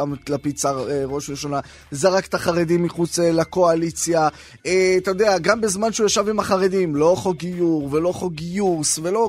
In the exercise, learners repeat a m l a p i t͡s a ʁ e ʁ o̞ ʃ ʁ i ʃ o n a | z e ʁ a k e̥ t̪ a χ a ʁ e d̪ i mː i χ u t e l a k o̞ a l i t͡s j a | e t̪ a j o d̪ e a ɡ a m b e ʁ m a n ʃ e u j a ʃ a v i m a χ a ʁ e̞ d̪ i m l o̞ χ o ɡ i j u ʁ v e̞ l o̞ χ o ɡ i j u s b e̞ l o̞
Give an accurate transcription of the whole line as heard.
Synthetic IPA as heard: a m l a p i t͡s a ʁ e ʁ o̞ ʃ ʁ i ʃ o n a | z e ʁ a k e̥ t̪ a χ a ʁ e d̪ i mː i χ u t͡s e l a k o̞ a l i t͡s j a | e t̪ a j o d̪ e a ɡ a m b e z m a n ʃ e u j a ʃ a v i m a χ a ʁ e̞ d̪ i m l o̞ χ o ɡ i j u ʁ v e̞ l o̞ χ o ɡ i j u s v e̞ l o̞